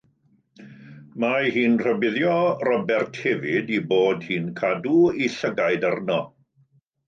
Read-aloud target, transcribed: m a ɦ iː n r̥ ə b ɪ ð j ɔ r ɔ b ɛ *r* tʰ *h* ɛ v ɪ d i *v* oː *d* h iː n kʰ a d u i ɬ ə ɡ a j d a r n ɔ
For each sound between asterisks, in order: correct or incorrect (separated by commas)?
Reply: correct, correct, incorrect, correct